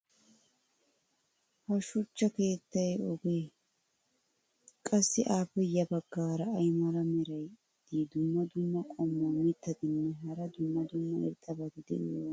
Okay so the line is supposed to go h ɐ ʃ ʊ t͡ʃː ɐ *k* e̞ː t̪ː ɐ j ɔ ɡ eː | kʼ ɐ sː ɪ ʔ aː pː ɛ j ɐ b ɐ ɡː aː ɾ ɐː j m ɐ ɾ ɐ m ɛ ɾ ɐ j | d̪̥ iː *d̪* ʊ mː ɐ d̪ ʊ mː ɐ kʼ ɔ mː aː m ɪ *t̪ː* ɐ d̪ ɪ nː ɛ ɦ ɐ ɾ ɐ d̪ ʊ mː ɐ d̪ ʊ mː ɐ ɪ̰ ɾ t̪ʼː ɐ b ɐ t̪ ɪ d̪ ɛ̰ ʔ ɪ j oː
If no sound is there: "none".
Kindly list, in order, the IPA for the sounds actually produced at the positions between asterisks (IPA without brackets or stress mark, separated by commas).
k, d̪, t̪ː